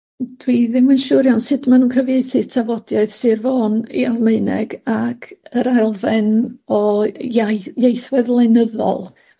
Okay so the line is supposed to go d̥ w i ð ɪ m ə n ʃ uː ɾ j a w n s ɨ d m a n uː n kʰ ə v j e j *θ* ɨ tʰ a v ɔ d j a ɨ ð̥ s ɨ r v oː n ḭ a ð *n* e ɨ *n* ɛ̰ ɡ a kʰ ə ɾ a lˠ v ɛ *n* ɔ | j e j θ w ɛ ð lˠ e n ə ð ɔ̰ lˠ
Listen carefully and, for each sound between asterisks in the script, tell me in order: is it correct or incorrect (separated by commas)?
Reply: correct, incorrect, correct, correct